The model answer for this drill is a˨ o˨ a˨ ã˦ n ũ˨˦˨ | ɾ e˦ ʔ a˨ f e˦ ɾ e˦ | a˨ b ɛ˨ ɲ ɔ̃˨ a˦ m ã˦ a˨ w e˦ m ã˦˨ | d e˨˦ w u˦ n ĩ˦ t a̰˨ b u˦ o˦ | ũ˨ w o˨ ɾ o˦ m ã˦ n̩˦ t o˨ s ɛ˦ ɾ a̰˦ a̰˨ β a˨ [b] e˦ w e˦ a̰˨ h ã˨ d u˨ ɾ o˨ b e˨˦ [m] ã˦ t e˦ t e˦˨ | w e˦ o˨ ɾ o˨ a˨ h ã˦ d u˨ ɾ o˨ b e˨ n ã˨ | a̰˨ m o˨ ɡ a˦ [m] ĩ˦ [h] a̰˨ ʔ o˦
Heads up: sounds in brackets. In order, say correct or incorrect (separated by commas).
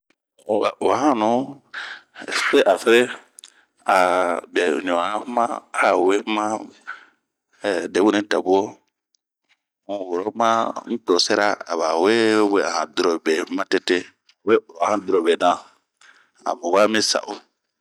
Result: incorrect, correct, correct, incorrect